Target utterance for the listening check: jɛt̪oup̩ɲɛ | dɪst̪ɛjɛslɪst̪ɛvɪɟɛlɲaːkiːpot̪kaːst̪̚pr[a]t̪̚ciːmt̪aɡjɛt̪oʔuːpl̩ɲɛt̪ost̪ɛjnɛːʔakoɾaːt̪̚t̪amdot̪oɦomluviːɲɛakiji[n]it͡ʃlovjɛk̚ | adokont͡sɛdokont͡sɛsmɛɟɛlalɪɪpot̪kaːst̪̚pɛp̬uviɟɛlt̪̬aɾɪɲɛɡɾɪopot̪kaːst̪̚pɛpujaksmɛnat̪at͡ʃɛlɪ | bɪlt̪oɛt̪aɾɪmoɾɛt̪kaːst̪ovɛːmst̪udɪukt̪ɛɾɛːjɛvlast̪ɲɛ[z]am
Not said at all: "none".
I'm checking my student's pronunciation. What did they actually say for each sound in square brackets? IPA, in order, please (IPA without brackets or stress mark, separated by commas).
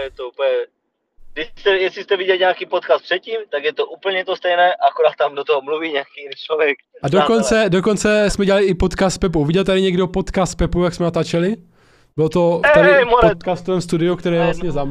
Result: ɛ, n, z